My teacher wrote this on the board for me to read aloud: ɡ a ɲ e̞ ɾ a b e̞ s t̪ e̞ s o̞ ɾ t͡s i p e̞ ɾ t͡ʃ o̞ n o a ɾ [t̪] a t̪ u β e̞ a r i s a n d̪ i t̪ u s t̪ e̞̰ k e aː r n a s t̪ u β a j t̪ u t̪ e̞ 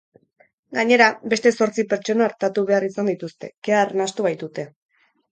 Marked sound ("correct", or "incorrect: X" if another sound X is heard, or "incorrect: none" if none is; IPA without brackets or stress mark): correct